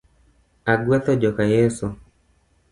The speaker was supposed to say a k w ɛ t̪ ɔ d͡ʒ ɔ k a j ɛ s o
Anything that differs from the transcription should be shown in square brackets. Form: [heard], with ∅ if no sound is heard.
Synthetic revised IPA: a [ɡ] w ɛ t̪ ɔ d͡ʒ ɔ k a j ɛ s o